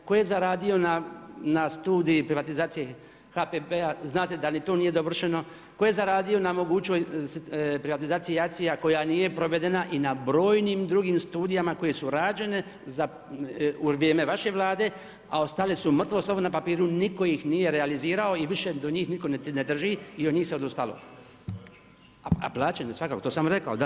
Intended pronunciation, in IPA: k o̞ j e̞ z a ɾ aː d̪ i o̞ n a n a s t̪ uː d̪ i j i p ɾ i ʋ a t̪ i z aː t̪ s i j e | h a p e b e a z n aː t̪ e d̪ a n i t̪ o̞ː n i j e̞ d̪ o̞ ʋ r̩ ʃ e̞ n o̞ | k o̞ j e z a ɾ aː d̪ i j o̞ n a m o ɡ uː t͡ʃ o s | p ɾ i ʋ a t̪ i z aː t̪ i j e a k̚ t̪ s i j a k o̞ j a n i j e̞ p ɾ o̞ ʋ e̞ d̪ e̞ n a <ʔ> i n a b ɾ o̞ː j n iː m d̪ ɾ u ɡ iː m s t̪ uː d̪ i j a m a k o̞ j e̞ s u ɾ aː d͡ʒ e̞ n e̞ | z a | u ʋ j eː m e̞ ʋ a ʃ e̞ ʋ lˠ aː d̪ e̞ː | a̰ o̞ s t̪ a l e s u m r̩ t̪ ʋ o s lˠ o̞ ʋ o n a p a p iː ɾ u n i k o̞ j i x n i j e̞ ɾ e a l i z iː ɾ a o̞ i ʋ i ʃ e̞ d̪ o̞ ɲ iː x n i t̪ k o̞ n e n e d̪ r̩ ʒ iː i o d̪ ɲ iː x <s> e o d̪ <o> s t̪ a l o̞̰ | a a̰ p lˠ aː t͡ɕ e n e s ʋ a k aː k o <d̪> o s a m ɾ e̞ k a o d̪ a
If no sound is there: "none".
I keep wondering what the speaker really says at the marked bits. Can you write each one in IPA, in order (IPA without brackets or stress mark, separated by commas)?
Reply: ʔ, s, u, t̪